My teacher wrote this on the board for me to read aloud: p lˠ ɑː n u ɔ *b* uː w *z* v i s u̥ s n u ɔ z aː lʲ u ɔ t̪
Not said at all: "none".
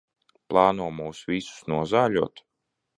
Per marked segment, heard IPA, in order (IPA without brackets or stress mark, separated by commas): m, s